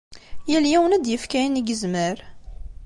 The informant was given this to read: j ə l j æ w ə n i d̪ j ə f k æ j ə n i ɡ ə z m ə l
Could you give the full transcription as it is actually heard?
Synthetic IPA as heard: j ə l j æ w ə n æ d̪ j ə f k æ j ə n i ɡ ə z m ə ɾ